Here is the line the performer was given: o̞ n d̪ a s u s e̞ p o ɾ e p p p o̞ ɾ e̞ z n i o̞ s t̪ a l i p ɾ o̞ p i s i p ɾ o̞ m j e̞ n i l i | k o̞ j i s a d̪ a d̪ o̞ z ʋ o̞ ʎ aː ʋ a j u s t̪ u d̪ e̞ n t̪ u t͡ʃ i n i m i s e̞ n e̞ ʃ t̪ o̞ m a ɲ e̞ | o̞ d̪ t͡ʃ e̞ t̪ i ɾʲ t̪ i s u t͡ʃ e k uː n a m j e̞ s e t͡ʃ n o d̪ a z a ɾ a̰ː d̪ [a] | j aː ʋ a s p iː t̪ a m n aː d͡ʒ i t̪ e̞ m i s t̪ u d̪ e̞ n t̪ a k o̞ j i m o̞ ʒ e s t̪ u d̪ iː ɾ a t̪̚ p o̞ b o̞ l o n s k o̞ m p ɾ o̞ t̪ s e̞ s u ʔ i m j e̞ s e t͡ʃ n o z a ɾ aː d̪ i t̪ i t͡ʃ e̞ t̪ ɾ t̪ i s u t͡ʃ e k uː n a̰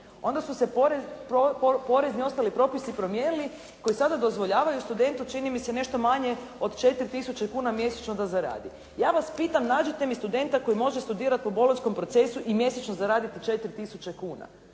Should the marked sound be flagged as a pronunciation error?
yes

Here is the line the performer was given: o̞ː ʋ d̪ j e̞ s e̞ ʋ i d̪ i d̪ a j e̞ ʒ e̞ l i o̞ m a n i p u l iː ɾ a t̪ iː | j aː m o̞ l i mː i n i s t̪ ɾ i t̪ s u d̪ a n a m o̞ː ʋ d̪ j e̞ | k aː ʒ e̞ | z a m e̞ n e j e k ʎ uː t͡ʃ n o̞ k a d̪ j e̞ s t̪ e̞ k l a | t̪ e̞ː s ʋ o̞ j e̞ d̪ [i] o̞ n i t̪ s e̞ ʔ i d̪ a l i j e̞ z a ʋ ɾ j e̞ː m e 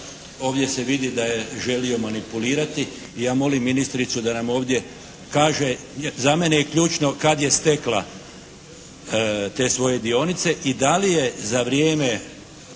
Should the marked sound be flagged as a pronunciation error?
no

